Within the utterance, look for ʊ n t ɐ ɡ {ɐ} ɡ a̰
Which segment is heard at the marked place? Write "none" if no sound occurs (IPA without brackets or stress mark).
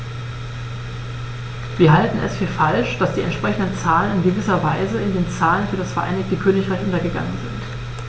ə